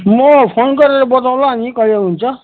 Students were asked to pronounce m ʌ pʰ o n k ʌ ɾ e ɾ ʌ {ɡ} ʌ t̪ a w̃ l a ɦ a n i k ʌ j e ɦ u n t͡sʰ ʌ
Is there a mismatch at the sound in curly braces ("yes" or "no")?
yes